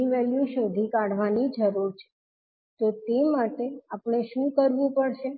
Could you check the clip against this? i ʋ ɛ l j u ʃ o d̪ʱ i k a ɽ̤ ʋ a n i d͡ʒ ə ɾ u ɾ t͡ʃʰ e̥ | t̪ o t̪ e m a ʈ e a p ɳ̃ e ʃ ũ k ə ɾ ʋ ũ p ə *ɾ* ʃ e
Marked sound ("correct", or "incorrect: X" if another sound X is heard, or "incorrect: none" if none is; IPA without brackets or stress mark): incorrect: ɽ